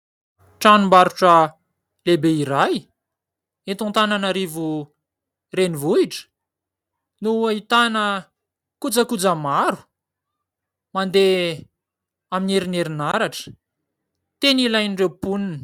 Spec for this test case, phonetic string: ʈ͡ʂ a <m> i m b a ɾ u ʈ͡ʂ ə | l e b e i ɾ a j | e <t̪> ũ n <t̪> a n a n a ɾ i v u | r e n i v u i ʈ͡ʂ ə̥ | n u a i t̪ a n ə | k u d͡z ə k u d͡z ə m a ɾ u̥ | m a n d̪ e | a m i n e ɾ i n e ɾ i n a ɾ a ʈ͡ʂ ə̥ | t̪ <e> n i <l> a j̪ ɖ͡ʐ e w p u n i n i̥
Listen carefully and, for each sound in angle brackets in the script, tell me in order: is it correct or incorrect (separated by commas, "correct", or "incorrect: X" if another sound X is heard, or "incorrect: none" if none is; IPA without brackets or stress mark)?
incorrect: n, correct, correct, correct, correct